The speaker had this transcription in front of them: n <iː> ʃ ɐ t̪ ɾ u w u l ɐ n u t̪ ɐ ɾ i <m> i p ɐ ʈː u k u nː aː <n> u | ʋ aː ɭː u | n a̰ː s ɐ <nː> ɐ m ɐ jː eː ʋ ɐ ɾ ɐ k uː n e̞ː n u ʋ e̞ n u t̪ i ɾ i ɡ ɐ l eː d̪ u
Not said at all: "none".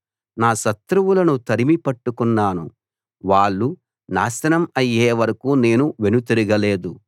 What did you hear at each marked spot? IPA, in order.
aː, m, n, n

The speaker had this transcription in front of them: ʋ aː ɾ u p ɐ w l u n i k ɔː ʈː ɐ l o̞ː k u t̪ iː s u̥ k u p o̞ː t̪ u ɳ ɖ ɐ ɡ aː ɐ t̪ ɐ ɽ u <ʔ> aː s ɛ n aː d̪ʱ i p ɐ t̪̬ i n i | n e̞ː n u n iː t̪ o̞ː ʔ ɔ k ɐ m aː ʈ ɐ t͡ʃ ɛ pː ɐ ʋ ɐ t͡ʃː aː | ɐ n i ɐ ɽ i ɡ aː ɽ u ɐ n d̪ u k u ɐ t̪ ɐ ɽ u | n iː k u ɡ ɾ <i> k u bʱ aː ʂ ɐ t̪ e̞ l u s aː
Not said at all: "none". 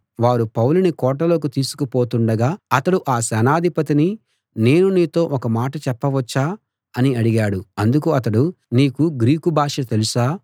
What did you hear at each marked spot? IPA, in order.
ʔ, iː

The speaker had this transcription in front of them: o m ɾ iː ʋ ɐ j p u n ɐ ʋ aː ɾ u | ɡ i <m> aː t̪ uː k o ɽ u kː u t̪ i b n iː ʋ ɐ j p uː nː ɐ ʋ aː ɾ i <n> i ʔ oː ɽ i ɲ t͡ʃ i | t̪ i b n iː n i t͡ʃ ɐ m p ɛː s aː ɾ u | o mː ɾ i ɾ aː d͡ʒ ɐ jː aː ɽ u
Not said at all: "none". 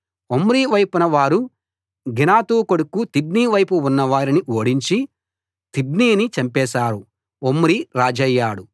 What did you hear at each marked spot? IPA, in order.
n, n

